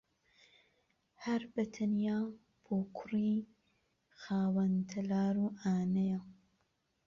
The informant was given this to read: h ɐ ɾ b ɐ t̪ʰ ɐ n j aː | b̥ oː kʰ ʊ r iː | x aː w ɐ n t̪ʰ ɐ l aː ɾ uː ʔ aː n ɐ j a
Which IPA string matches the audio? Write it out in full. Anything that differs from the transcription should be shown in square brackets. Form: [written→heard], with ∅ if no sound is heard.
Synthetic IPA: h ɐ ɾ b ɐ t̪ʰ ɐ n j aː | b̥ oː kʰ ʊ r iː | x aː w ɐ n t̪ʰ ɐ l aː ɾ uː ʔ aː n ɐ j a